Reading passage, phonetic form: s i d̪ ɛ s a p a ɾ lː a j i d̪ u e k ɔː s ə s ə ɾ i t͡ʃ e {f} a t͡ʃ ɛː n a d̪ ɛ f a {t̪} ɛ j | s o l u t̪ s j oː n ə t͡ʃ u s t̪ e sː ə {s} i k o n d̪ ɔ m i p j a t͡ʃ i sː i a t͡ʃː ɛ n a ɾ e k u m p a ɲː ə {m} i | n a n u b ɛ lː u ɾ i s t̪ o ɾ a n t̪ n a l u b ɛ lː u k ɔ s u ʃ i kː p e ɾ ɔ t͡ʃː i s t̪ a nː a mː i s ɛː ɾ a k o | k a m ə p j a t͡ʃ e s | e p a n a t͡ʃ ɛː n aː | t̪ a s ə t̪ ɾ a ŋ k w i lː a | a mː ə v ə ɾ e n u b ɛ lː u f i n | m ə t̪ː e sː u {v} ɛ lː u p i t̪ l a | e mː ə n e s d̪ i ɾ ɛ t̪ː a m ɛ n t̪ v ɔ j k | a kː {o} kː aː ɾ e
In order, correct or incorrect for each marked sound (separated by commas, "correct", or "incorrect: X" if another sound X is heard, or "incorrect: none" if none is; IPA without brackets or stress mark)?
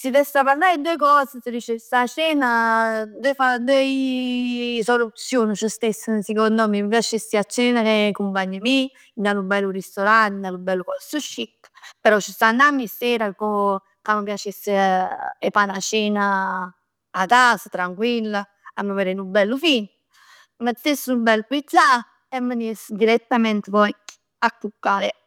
incorrect: s, incorrect: d̪, correct, correct, incorrect: b, incorrect: u